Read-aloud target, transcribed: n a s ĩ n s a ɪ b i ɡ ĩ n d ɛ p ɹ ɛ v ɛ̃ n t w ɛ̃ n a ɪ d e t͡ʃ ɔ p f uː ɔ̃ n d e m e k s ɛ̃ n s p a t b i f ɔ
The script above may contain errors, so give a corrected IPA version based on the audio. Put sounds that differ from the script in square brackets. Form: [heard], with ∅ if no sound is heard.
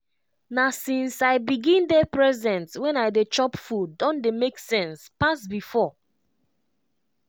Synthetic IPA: n a s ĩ n s a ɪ b i ɡ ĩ n d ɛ p ɹ ɛ [z] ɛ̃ n t w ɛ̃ n a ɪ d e t͡ʃ ɔ p f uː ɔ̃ n d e m e k s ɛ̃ n s p a [s] b i f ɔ